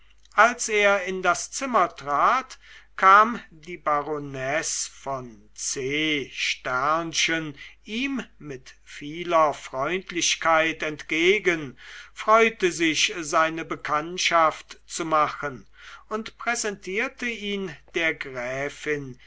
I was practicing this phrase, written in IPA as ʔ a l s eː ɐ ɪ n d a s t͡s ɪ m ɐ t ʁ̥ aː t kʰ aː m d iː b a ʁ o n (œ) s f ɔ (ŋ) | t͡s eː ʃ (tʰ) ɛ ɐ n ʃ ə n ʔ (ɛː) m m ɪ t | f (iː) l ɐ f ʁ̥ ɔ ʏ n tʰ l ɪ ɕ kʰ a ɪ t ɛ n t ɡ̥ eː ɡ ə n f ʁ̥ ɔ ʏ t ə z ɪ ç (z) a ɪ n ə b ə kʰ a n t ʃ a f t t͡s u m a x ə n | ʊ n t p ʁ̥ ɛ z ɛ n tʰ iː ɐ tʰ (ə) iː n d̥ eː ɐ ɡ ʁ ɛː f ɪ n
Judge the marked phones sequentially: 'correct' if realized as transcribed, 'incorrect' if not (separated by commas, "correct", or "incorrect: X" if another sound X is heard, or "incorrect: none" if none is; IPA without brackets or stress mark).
incorrect: ɛ, incorrect: n, incorrect: t, incorrect: iː, correct, correct, correct